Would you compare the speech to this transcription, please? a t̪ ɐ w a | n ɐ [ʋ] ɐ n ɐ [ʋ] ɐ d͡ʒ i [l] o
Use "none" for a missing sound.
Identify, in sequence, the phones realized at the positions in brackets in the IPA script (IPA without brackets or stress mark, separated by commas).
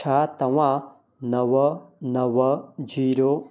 w, w, ɾ